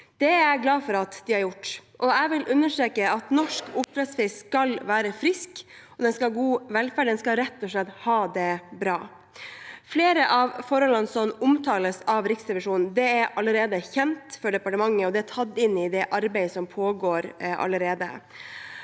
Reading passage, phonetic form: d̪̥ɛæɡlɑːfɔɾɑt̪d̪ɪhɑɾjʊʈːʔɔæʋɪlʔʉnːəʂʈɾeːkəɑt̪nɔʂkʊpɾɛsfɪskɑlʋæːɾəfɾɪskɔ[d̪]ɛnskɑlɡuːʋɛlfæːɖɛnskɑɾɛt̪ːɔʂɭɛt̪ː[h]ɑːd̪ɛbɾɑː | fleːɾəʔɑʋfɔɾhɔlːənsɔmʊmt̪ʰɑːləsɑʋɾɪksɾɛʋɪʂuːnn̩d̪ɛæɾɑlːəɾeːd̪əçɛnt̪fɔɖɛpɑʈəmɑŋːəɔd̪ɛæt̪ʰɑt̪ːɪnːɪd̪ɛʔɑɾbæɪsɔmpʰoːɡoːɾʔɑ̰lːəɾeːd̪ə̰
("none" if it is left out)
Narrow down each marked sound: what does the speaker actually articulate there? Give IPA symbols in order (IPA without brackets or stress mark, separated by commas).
d̪, h